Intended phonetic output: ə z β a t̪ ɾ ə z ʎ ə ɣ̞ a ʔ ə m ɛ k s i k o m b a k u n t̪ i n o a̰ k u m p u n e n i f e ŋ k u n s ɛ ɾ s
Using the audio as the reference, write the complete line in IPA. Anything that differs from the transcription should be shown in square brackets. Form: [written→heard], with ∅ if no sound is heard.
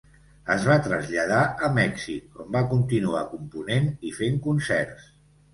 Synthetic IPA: ə z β a t̪ ɾ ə z ʎ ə [ɣ̞→ð̞] a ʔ ə m ɛ k s i k o m b a k u n t̪ i n [o→u] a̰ k u m p u n e n i f e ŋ k u n s ɛ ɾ s